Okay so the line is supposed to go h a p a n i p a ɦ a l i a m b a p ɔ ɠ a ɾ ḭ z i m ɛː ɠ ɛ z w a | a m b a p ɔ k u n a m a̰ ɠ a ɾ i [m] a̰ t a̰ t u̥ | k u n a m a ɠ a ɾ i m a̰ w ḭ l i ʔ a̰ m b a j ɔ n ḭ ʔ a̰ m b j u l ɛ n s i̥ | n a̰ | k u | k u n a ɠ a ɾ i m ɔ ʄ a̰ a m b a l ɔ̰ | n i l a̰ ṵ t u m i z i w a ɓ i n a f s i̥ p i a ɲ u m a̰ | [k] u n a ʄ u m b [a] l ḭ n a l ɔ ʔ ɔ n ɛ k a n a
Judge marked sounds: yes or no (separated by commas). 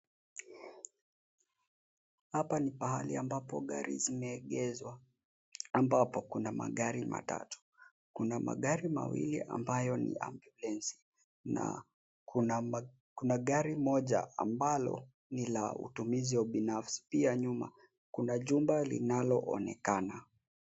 yes, yes, yes